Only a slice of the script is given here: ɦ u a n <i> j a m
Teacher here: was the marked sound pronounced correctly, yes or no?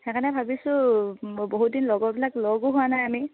no